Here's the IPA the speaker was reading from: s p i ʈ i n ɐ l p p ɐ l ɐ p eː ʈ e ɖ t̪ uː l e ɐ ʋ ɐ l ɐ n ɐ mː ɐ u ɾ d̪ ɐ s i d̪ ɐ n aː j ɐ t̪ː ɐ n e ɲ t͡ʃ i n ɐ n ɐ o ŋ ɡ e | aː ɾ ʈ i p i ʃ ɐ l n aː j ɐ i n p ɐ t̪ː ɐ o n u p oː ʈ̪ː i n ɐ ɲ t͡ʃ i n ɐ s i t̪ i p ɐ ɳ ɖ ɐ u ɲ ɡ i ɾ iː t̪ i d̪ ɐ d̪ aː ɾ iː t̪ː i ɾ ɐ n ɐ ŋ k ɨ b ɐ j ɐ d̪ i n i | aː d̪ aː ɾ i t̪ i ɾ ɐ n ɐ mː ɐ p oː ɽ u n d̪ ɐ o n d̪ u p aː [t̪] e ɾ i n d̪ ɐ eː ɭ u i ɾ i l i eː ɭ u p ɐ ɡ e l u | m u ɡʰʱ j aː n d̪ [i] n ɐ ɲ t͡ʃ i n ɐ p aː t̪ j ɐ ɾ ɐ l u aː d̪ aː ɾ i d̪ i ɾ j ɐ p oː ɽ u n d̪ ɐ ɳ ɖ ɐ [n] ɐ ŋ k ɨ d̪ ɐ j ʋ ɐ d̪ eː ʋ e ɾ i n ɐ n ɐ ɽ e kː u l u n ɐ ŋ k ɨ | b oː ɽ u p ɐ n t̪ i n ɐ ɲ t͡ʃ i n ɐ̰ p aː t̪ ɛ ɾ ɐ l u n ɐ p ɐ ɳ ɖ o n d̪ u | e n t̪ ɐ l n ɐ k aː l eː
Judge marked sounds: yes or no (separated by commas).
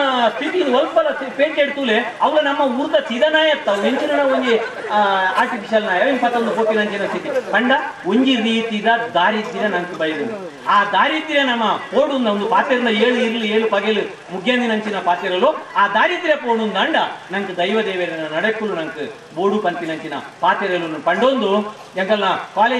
yes, yes, yes